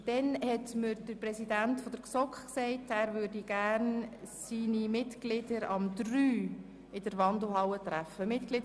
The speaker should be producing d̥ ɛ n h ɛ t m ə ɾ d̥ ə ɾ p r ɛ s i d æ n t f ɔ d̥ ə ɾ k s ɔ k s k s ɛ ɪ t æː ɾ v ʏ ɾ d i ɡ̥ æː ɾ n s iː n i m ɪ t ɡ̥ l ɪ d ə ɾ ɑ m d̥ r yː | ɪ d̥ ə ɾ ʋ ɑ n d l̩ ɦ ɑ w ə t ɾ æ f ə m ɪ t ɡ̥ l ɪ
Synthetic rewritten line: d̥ ɛ n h ɛ t m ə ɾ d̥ ə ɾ p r ɛ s i d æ n t f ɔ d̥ ə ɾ k s ɔ k χ k s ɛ ɪ t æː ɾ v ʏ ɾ d i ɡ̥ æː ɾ n s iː n i m ɪ t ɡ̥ l ɪ d ə ɾ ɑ m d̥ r yː | ɪ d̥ ə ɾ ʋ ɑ n d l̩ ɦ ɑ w ə t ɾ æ f ə m ɪ t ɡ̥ l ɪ